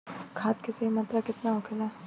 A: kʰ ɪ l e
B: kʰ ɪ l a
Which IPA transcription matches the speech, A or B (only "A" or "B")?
B